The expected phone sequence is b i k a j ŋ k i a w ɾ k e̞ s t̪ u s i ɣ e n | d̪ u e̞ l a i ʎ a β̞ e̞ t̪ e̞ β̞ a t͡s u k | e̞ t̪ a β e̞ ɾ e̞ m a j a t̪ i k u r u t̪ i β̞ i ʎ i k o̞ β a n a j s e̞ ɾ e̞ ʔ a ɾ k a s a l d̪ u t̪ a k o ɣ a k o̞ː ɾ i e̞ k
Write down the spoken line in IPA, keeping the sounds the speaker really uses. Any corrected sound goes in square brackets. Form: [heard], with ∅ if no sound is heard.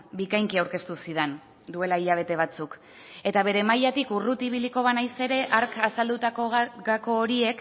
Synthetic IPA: b i k a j ŋ k i a w ɾ k e̞ s t̪ u s i [ð] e n | d̪ u e̞ l a i ʎ a β̞ e̞ t̪ e̞ β̞ a t͡s u k | e̞ t̪ a β e̞ ɾ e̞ m a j a t̪ i k u r u t̪ i β̞ i [l] i k o̞ β a n a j s e̞ ɾ e̞ ʔ a ɾ k a s a l d̪ u t̪ a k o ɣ a k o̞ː ɾ i e̞ k